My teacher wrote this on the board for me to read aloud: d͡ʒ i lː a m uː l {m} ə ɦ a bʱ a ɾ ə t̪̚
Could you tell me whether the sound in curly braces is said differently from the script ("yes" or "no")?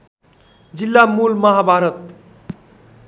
no